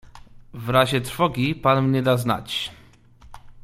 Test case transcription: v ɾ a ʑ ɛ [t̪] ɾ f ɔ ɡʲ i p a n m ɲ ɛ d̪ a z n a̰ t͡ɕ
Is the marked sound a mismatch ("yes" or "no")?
no